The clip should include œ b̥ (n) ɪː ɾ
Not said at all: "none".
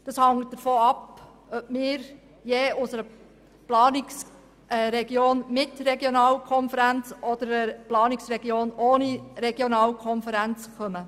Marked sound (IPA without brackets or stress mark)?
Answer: m